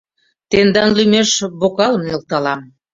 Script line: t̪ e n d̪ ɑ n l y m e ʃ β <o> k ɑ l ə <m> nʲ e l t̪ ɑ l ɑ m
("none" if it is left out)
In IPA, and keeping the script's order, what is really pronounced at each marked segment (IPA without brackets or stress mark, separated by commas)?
o, m